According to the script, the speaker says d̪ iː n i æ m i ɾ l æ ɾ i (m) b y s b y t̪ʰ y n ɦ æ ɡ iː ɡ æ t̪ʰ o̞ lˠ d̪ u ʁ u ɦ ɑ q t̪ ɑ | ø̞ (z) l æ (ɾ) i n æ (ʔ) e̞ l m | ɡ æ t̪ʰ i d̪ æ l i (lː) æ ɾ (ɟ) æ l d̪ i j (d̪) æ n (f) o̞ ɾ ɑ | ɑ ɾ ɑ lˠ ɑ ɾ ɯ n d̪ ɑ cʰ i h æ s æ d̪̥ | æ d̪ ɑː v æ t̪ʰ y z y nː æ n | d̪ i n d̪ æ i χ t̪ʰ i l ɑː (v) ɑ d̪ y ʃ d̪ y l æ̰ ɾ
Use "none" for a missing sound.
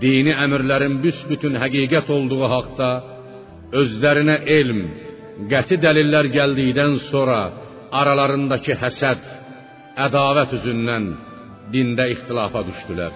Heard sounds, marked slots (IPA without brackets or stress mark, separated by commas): n, z, ɾ, ʔ, lː, ɟ, d̪, s, f